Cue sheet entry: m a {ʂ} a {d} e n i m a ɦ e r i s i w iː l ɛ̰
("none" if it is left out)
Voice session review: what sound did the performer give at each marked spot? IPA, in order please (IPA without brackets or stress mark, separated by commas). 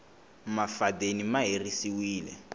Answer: f, d